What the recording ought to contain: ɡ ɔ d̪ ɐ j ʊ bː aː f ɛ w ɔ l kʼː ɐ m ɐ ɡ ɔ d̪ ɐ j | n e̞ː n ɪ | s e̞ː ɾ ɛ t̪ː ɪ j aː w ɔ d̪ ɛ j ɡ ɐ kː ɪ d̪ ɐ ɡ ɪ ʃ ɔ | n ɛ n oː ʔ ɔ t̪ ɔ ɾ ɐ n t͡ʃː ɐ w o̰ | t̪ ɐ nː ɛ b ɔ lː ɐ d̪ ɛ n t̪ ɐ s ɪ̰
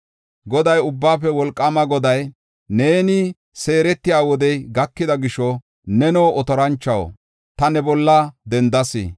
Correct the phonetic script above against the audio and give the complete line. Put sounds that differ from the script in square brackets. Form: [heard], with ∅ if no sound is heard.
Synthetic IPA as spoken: ɡ ɔ d̪ ɐ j ʊ bː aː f ɛ w ɔ l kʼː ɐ m ɐ ɡ ɔ d̪ ɐ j | n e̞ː n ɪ | s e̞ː ɾ ɛ t̪ː ɪ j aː w ɔ d̪ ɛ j ɡ ɐ kː ɪ d̪ ɐ ɡ ɪ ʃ ɔ | n ɛ n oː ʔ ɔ t̪ ɔ ɾ ɐ n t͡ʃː ɐ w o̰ | t̪ ɐ [n] ɛ b ɔ lː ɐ d̪ ɛ n [d̪] ɐ s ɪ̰